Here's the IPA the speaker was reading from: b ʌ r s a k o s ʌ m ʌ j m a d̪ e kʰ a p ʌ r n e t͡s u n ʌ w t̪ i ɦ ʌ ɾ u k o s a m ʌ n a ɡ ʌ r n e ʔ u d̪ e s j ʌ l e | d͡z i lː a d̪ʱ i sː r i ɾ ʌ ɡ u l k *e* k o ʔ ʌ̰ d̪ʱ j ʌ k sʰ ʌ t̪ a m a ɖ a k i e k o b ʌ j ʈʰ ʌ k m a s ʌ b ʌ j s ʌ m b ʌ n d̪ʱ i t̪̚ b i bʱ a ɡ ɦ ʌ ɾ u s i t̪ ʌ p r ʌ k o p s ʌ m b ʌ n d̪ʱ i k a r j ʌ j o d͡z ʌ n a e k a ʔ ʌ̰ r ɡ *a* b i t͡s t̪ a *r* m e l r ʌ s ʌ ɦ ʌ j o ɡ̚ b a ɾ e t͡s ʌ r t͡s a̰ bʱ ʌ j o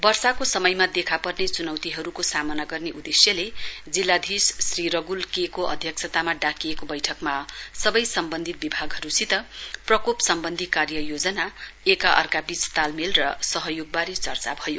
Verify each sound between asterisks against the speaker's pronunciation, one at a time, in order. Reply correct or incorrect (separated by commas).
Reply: correct, correct, incorrect